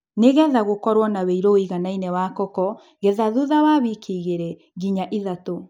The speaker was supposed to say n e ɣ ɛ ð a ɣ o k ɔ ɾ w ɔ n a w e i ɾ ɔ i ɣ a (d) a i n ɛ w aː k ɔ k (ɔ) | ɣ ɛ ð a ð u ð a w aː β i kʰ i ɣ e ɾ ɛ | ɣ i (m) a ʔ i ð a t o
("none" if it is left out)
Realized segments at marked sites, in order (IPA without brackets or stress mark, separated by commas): n, ɔ, ɲ